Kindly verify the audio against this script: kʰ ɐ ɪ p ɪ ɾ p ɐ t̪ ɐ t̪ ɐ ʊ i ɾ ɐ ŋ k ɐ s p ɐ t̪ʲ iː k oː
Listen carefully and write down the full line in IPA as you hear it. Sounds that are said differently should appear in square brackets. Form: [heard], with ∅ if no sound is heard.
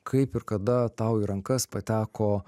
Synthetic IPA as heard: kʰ ɐ ɪ p ɪ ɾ [k] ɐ [d̪] ɐ t̪ ɐ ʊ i ɾ ɐ ŋ k ɐ s p ɐ t̪ʲ [æː] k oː